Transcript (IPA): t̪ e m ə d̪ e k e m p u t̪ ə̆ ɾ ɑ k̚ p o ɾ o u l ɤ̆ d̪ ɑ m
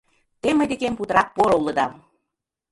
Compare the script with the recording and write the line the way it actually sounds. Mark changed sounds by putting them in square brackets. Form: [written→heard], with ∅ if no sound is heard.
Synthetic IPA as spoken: t̪ e m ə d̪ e k e m p u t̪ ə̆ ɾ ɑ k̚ p o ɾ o u l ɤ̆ d̪ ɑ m